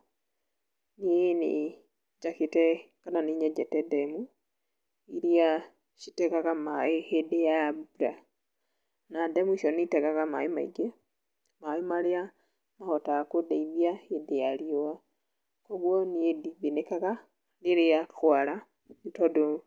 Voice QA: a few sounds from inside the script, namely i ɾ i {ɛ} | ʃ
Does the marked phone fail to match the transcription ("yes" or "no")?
yes